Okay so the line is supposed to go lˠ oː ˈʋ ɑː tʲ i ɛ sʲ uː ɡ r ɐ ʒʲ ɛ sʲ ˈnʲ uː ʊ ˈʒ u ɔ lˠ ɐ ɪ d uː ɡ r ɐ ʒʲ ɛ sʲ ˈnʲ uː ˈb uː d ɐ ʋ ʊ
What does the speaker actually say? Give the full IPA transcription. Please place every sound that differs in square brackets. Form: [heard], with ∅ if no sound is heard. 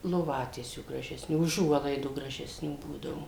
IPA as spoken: lˠ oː ˈʋ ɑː tʲ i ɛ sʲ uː ɡ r ɐ ʒʲ ɛ sʲ ˈnʲ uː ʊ ˈʒ u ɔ lˠ ɐ ɪ d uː ɡ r ɐ ʒʲ ɛ sʲ ˈnʲ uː ˈb uː d ɐ ʋ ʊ